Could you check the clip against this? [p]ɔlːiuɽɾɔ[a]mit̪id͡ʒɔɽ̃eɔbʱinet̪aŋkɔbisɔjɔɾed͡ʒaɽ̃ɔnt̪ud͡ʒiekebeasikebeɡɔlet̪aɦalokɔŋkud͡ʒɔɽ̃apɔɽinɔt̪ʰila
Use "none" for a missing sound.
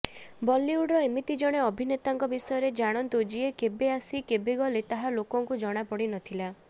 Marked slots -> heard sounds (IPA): b, e

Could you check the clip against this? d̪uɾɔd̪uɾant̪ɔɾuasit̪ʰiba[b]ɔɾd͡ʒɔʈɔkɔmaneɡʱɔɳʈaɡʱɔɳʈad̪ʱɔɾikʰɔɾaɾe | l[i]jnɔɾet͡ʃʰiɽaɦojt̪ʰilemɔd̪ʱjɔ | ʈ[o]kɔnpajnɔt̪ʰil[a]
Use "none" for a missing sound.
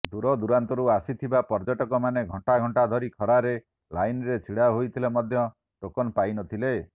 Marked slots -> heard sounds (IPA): p, a, o, e

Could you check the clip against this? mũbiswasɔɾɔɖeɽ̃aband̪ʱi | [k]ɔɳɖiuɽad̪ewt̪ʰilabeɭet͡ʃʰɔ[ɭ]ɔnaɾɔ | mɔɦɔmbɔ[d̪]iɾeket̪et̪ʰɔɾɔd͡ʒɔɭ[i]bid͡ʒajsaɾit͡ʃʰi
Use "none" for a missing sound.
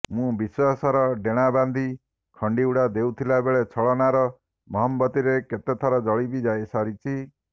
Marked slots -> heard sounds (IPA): kʰ, ɭ, t̪, i

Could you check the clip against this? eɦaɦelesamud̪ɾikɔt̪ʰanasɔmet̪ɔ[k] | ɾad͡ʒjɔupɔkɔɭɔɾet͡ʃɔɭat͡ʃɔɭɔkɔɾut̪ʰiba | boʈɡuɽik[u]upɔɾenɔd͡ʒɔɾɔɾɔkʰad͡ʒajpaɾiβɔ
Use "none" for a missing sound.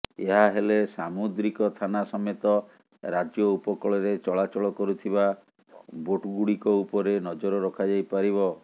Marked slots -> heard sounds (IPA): none, ɔ

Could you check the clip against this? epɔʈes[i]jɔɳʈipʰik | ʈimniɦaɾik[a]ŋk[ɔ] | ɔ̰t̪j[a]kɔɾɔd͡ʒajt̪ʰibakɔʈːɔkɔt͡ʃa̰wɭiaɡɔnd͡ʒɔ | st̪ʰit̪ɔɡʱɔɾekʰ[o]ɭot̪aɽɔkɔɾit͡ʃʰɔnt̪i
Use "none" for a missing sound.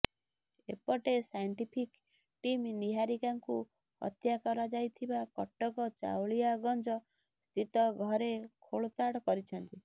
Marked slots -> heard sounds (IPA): a, a, u, a, o

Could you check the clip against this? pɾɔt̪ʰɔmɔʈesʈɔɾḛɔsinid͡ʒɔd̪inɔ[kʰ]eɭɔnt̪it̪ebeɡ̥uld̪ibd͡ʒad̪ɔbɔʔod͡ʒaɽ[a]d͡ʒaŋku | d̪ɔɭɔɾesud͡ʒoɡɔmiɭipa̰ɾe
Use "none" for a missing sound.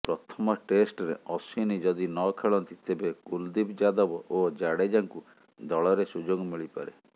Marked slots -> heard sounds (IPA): kʰ, e

